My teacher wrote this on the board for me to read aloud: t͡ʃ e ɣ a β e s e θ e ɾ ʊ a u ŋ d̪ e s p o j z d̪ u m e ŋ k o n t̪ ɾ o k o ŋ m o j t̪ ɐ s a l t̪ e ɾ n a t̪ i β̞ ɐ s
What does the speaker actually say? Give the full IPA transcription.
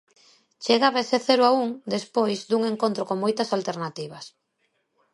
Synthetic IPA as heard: t͡ʃ e ɣ a β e s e θ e ɾ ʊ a u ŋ d̪ e s p o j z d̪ u ŋ e ŋ k o n t̪ ɾ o k o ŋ m o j t̪ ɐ s a l t̪ e ɾ n a t̪ i β̞ ɐ s